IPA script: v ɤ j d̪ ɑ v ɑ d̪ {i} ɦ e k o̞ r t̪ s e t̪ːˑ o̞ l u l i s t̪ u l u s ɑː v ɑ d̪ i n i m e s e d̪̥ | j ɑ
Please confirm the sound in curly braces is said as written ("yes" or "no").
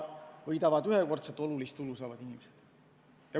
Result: no